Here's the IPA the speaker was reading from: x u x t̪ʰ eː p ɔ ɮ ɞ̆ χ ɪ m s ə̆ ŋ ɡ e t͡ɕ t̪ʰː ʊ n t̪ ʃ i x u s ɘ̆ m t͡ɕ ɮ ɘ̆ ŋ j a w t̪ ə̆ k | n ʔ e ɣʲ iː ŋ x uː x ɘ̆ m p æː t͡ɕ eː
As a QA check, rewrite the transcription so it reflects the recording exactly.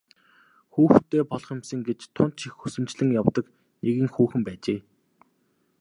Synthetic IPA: x uː x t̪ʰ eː p ɔ ɮ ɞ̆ χ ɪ m s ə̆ ŋ ɡ e t͡ɕ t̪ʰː ʊ n t̪ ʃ i x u s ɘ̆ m t͡ɕ ɮ ɘ̆ ŋ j a w t̪ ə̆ k | n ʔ e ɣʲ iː ŋ x uː x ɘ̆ m p æː t͡ɕ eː